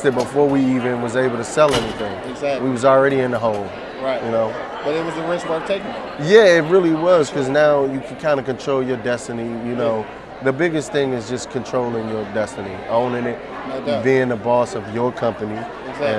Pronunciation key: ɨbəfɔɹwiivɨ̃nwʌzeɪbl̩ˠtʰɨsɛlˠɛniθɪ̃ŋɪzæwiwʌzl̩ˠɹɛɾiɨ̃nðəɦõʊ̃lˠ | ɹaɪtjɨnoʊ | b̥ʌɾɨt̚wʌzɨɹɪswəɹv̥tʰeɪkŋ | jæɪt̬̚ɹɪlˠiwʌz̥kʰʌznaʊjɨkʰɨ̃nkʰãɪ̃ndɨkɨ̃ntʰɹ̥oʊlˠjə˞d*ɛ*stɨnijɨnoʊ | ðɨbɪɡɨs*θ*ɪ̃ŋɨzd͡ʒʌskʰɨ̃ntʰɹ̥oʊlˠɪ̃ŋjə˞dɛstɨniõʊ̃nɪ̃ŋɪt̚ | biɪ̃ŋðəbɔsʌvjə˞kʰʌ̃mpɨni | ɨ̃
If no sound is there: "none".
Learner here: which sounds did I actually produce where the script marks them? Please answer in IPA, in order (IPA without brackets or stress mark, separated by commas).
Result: ɛ, θ